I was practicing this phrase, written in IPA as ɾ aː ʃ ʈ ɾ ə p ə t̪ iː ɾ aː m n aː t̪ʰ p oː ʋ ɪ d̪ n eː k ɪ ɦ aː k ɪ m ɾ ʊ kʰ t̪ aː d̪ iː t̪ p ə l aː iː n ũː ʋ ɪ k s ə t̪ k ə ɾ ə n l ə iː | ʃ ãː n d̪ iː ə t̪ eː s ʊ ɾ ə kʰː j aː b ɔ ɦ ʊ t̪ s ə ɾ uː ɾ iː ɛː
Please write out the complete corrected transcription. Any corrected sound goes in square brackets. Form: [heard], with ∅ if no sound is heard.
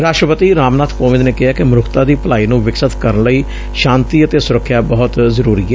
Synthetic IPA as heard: ɾ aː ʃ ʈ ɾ ə p ə t̪ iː ɾ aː m n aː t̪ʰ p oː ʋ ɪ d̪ n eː k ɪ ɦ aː k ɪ m ɾ ʊ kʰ t̪ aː d̪ iː [∅] p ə l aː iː n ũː ʋ ɪ k s ə t̪ k ə ɾ ə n l ə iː | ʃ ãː n [t̪] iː ə t̪ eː s ʊ ɾ ə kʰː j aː b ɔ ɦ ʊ t̪ [z] ə ɾ uː ɾ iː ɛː